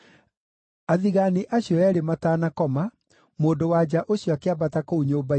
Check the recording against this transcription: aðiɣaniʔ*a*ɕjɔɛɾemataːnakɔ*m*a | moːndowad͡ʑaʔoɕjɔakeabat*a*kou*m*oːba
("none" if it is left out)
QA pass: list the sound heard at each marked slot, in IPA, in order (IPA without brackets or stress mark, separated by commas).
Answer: a, m, a, ɲ